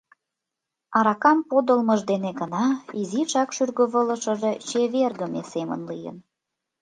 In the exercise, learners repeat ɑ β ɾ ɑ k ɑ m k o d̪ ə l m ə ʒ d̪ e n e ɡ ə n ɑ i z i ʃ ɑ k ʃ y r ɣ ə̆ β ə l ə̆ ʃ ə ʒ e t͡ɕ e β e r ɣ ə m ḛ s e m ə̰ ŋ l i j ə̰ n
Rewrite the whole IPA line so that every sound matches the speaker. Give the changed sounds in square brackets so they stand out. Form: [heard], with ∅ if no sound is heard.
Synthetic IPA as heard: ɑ [∅] ɾ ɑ k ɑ m [p] o d̪ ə l m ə ʒ d̪ e n e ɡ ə n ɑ i z i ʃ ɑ k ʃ y r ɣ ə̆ β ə l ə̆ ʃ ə ʒ e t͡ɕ e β e r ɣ ə m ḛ s e m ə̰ [n] l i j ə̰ n